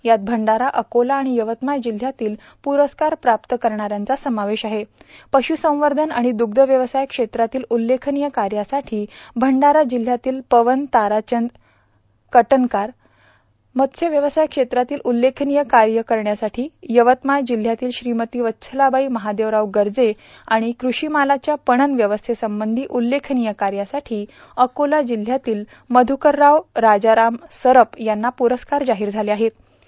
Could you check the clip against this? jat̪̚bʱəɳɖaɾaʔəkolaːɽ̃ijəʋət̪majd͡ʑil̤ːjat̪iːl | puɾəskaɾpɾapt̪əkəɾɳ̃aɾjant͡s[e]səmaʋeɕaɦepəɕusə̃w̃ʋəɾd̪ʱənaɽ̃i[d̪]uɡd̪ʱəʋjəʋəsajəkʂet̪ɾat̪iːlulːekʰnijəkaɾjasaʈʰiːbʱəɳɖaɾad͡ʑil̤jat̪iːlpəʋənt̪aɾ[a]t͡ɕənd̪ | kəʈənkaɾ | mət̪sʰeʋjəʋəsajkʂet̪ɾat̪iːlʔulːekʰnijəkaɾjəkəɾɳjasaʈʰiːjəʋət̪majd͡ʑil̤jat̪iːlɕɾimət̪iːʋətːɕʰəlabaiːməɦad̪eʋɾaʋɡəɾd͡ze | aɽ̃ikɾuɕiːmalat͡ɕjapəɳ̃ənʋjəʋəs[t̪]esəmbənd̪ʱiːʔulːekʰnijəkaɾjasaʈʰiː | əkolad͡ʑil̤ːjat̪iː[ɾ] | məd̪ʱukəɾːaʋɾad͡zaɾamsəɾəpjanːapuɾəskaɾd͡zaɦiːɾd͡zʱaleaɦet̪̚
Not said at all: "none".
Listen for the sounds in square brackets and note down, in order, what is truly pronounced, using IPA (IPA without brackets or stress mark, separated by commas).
a, d̪, a, t̪ʰ, l